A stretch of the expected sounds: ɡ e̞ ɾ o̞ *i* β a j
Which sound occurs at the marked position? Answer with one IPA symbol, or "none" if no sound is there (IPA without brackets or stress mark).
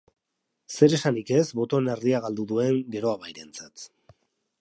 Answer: a